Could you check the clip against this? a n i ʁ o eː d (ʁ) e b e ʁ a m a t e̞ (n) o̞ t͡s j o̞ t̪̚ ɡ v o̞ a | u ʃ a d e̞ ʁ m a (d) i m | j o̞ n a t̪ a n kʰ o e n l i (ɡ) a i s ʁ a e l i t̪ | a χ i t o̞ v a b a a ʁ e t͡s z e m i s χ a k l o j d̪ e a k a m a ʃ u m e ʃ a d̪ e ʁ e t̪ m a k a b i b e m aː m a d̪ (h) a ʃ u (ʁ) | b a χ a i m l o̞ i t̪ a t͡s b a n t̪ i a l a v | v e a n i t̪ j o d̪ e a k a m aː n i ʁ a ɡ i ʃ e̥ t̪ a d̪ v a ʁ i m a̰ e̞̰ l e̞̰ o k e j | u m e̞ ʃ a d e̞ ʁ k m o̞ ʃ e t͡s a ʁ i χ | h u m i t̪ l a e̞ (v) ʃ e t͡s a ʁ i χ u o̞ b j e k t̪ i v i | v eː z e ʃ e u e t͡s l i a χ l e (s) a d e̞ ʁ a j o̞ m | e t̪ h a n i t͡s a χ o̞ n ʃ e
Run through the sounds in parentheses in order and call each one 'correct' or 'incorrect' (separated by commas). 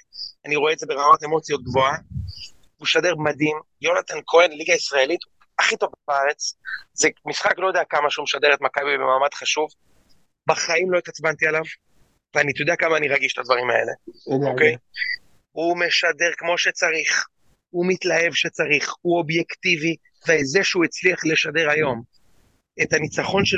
incorrect, incorrect, correct, correct, incorrect, incorrect, correct, incorrect